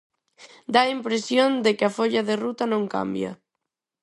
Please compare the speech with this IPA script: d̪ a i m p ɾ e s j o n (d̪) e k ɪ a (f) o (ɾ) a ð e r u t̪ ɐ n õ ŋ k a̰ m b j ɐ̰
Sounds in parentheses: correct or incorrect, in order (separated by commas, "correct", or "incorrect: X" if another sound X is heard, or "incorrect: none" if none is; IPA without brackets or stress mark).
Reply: correct, correct, incorrect: ʎ